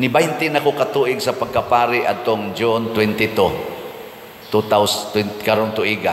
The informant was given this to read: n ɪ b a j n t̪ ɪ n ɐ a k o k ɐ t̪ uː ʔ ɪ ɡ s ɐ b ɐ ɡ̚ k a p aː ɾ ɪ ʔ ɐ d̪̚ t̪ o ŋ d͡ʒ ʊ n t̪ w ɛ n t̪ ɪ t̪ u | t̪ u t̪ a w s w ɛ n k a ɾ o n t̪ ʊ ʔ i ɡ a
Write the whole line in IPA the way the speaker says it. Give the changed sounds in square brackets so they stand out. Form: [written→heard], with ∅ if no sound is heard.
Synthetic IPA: n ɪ b a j n t̪ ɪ n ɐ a k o k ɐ t̪ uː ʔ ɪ ɡ s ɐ [b→p] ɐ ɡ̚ k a p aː ɾ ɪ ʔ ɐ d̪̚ t̪ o ŋ d͡ʒ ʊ n t̪ w ɛ n t̪ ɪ t̪ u | t̪ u t̪ a w s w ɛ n k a ɾ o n t̪ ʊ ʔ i ɡ a